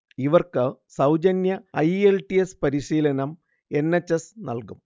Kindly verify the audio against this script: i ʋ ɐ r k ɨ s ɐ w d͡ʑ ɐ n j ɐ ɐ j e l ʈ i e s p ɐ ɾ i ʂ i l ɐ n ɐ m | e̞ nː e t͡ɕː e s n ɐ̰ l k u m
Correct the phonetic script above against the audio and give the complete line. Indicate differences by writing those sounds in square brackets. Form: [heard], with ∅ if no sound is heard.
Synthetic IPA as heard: i ʋ ɐ r k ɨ s ɐ w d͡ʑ ɐ n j ɐ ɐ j e l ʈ i e s p ɐ ɾ i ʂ [iː] l ɐ n ɐ m | e̞ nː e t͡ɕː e s n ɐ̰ l k u m